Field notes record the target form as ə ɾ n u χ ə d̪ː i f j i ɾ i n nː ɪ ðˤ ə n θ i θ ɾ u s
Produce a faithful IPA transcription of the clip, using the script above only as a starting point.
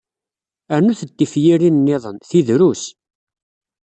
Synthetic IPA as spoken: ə ɾ n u θ ə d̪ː i f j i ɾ i n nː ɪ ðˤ ə n θ i ð ɾ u s